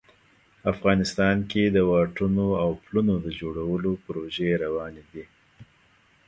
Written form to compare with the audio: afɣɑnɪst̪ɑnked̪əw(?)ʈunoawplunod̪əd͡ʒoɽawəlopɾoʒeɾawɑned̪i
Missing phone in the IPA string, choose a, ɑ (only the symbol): ɑ